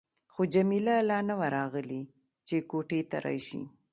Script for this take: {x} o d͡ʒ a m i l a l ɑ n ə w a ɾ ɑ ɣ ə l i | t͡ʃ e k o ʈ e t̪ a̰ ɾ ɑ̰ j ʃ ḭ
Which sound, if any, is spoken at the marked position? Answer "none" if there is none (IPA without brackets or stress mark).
x